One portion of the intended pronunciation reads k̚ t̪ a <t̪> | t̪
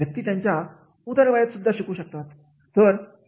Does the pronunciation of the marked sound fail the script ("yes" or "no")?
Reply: no